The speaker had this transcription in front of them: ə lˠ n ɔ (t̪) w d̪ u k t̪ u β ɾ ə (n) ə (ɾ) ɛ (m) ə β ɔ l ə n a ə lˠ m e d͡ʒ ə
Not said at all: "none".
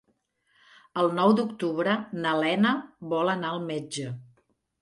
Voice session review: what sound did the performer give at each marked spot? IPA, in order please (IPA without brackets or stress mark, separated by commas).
none, n, l, n